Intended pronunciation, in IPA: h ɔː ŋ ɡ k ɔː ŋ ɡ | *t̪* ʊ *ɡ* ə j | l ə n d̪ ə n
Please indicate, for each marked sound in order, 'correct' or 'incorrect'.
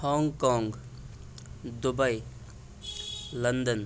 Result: incorrect, incorrect

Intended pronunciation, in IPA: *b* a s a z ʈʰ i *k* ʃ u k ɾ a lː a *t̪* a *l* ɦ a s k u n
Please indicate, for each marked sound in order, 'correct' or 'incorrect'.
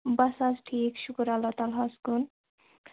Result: correct, correct, correct, correct

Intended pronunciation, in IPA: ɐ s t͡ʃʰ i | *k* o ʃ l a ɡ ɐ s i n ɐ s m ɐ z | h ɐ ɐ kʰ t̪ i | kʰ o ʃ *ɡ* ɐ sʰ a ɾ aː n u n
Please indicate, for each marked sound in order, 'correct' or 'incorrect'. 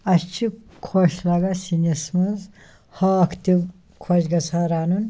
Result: incorrect, correct

